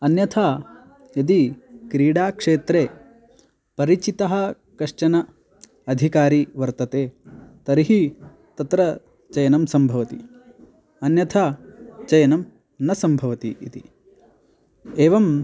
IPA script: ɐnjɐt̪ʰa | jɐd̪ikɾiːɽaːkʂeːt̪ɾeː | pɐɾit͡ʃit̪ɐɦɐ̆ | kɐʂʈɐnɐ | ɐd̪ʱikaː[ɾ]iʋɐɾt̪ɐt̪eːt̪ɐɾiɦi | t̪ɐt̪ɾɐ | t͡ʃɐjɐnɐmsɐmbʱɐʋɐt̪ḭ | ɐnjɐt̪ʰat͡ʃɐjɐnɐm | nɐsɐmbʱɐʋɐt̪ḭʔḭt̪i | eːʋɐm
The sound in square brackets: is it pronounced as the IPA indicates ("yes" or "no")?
yes